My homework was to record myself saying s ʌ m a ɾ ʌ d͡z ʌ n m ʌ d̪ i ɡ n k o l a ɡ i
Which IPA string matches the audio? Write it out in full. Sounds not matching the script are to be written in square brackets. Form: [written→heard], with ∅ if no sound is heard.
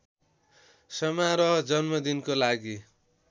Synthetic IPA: s ʌ m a ɾ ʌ d͡z ʌ n m ʌ d̪ i [ɡ→∅] n k o l a ɡ i

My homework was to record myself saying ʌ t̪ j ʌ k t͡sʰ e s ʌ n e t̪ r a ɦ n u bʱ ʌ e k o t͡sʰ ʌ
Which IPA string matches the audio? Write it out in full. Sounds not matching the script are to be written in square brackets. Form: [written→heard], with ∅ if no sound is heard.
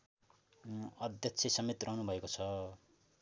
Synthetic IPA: ʌ [t̪→d̪] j ʌ k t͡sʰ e s ʌ [n→m] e t̪ r [a→ʌ] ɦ n u bʱ ʌ e k o t͡sʰ ʌ

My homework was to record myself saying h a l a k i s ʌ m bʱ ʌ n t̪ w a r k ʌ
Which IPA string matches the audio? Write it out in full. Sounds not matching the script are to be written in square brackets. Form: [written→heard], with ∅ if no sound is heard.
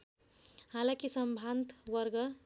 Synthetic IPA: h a l a k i s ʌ m bʱ [ʌ→a] n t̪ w [a→ʌ] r [k→ɡ] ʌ

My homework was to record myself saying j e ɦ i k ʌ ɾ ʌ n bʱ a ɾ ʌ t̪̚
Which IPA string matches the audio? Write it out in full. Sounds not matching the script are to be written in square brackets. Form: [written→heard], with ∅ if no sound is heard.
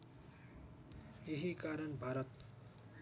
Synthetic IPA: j e ɦ i k [ʌ→a] ɾ ʌ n bʱ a ɾ ʌ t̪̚

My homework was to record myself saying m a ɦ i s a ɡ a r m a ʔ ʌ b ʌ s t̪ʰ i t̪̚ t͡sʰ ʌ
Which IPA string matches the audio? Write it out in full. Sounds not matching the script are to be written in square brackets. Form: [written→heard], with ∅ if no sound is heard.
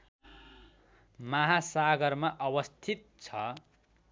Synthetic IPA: m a ɦ [i→a] s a ɡ [a→ʌ] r m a ʔ ʌ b ʌ s t̪ʰ i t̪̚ t͡sʰ ʌ

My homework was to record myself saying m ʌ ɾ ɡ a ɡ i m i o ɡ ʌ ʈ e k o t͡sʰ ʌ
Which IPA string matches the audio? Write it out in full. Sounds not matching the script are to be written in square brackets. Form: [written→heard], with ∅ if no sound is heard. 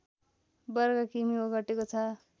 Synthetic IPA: [m→b] ʌ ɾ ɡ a [ɡ→k] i m i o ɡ ʌ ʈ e k o t͡sʰ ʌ

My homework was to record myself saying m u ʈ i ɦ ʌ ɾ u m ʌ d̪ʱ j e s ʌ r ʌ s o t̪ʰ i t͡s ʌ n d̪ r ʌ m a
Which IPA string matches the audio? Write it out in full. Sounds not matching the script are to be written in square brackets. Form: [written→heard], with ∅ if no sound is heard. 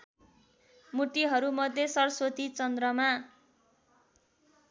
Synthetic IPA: m u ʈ i ɦ ʌ ɾ u m ʌ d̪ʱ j e s ʌ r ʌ s o [t̪ʰ→t̪] i t͡s ʌ n d̪ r ʌ m a

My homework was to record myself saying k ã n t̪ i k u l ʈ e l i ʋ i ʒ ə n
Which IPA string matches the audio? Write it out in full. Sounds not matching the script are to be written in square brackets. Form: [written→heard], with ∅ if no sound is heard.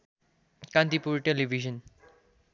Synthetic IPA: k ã n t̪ i [k→p] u [l→ɾ] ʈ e l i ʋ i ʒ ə n

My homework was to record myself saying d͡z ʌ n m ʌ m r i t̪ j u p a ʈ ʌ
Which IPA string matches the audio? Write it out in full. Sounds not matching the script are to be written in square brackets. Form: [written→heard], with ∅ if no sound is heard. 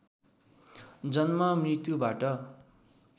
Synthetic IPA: d͡z ʌ n m ʌ m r i t̪ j u [p→b] a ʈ ʌ

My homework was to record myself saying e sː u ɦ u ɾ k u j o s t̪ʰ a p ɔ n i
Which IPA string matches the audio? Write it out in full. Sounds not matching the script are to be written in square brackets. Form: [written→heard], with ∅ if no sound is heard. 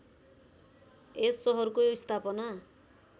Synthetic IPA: e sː [u→ɔ] ɦ [u→ɔ] ɾ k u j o s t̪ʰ a p ɔ n [i→a]

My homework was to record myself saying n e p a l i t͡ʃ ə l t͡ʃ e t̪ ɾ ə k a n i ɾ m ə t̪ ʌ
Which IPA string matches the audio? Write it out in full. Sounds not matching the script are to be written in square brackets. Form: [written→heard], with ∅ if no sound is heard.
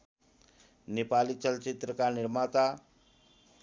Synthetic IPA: n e p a l i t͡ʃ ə l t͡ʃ [e→i] t̪ ɾ ə k a n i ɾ m [ə→a] t̪ [ʌ→a]

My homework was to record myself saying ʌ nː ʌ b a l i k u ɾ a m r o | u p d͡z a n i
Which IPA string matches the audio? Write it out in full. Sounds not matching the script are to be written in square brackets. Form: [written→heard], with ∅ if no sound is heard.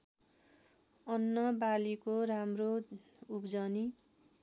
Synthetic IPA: ʌ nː ʌ b a l i k [u→o] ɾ a m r o | u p d͡z [a→ʌ] n i

